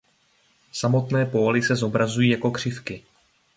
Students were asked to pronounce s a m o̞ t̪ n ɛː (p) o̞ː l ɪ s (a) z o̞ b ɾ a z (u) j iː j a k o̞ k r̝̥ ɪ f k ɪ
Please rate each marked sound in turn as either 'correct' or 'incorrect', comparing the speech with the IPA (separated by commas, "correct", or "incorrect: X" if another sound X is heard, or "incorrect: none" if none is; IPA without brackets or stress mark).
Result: correct, incorrect: ɛ, correct